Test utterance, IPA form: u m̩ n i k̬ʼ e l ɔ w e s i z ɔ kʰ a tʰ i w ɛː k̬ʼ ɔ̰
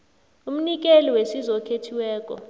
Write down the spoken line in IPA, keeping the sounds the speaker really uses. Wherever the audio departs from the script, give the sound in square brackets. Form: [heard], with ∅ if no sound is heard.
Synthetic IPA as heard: u m̩ n i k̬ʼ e l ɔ w e s i z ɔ kʰ [e] tʰ i w ɛː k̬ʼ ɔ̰